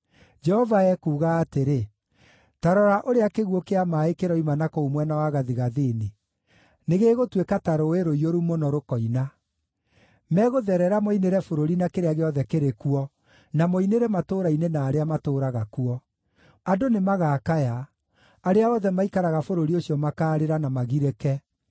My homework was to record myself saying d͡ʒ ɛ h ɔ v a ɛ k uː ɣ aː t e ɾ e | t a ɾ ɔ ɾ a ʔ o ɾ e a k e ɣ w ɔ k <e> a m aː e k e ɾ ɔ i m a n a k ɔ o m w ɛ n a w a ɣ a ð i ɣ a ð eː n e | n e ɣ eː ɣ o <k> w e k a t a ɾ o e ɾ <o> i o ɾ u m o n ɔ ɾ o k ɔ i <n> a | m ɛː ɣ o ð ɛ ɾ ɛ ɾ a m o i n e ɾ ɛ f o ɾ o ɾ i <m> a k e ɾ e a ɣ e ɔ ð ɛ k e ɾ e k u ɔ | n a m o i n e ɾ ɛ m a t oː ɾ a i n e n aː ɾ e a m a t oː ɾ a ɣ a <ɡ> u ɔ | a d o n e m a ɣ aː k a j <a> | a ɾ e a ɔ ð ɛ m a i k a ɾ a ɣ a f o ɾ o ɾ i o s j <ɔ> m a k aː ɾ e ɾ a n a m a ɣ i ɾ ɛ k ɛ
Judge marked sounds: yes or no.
yes, no, yes, yes, no, no, yes, yes

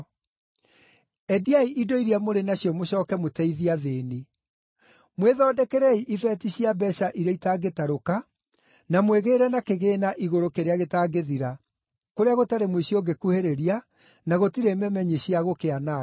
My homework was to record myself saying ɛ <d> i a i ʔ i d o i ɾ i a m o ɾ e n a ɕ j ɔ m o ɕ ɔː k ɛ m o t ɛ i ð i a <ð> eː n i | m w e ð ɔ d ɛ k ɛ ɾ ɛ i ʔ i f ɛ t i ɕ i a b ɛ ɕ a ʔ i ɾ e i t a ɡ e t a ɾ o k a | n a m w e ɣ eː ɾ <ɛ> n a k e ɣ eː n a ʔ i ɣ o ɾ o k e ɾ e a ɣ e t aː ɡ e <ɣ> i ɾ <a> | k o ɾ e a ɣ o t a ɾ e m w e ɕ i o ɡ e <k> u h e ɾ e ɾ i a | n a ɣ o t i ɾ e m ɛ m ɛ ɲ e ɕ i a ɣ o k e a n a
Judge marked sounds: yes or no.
yes, yes, yes, no, yes, yes

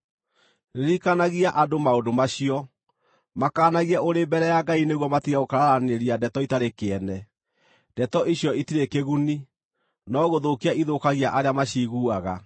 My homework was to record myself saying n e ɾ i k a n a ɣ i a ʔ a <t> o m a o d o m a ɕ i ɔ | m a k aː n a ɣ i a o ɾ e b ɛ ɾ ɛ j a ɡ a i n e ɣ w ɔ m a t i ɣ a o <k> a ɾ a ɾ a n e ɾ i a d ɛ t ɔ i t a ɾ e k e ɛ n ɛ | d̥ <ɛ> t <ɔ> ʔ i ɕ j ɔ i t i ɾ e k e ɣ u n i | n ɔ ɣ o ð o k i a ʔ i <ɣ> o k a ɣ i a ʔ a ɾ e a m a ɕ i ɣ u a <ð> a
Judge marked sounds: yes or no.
no, yes, yes, yes, no, no

